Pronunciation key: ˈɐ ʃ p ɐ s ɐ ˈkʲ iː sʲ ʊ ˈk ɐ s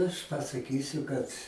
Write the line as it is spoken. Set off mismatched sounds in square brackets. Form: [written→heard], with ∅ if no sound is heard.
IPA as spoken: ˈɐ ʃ p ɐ s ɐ ˈkʲ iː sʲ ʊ ˈk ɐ [s→t]

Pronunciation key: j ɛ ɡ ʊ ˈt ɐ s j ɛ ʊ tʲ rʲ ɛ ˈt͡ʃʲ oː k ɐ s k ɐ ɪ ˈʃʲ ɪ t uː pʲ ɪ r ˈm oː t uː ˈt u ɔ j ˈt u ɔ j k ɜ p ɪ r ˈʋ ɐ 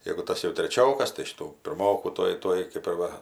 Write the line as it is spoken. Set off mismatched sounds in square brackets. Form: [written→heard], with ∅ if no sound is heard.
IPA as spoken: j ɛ ɡ ʊ ˈt ɐ s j ɛ ʊ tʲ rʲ ɛ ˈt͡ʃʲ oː k ɐ s [k→t] ɐ ɪ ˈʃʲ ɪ t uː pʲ ɪ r ˈm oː [t→k] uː ˈt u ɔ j ˈt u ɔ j k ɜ p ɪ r ˈʋ ɐ

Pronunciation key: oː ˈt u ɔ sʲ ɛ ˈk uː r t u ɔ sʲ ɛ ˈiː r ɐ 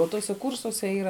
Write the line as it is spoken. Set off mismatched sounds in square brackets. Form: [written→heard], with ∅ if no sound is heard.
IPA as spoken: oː ˈt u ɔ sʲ ɛ ˈk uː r [t→s] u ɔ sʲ ɛ ˈiː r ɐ

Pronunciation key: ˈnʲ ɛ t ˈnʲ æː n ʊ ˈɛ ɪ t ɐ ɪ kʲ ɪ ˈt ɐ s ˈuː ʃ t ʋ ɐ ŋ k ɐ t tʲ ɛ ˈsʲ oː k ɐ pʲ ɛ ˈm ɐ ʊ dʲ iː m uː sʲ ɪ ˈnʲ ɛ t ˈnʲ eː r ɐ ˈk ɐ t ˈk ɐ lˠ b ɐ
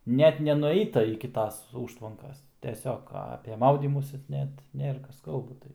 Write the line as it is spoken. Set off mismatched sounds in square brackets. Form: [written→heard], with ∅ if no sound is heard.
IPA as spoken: ˈnʲ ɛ t ˈnʲ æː n ʊ ˈɛ ɪ t ɐ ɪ kʲ ɪ ˈt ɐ s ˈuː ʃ t ʋ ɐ ŋ k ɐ [t→s] tʲ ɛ ˈsʲ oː k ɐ pʲ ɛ ˈm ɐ ʊ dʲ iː m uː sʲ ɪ ˈnʲ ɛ t ˈnʲ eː r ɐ ˈk ɐ [t→s] ˈk ɐ lˠ b ɐ

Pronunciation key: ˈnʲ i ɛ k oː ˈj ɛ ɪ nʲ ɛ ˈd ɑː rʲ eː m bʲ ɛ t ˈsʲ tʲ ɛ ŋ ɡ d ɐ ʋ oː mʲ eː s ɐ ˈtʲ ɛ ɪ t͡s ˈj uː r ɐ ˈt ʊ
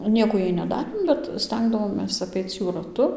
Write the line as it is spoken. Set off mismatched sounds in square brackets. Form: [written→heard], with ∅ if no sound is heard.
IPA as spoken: ˈnʲ i ɛ k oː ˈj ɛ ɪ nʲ ɛ ˈd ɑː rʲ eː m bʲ ɛ t ˈsʲ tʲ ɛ ŋ ɡ d ɐ ʋ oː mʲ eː s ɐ [ˈtʲ→ˈpʲ] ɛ ɪ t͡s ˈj uː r ɐ ˈt ʊ

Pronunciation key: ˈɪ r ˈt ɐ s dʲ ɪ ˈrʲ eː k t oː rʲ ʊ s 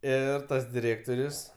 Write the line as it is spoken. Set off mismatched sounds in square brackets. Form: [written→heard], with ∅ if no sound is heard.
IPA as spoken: ˈɪ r ˈt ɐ s dʲ ɪ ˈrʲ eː k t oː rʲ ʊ s

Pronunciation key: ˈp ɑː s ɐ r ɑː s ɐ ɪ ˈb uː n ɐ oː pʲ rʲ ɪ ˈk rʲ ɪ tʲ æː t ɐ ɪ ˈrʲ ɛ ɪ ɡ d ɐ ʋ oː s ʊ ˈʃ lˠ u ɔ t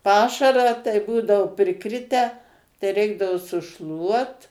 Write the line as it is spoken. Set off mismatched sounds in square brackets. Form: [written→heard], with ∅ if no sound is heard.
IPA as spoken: ˈp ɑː [s→ʃ] ɐ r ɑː [s→t] ɐ ɪ ˈb uː [n→d] ɐ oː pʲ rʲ ɪ ˈk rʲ ɪ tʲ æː t ɐ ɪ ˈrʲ ɛ ɪ ɡ d ɐ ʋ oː s ʊ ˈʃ lˠ u ɔ t

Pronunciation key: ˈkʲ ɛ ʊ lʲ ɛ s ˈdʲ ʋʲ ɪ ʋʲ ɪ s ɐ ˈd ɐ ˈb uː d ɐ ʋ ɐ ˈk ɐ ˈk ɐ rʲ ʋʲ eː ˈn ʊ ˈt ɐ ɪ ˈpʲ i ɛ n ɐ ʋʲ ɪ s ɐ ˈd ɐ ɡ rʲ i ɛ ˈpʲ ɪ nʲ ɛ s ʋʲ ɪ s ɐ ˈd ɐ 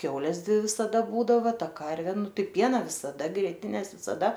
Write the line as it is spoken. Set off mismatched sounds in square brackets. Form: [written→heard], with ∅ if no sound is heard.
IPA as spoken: ˈkʲ ɛ ʊ lʲ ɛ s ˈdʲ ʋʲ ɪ ʋʲ ɪ s ɐ ˈd ɐ ˈb uː d ɐ ʋ ɐ [ˈk→ˈt] ɐ ˈk ɐ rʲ ʋʲ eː ˈn ʊ ˈt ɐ ɪ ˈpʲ i ɛ n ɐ ʋʲ ɪ s ɐ ˈd ɐ ɡ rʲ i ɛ [ˈpʲ→ˈtʲ] ɪ nʲ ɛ s ʋʲ ɪ s ɐ ˈd ɐ

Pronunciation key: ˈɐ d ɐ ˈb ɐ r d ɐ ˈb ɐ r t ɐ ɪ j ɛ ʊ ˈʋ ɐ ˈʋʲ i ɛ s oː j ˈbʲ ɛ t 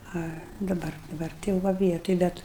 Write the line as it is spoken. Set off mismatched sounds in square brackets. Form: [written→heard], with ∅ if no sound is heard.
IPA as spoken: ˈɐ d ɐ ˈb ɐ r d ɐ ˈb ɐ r t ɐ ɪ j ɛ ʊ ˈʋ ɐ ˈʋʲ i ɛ [s→t] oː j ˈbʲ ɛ t

